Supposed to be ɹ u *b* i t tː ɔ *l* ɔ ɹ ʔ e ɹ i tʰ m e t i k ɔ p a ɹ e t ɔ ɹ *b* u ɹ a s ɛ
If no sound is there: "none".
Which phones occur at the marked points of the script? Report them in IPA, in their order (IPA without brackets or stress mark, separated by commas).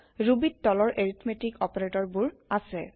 b, l, b